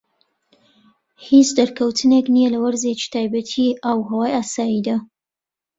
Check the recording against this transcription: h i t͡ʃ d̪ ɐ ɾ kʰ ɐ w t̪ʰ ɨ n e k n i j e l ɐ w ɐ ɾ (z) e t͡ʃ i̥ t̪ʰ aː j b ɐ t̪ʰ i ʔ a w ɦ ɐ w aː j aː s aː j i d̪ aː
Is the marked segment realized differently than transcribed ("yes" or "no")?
no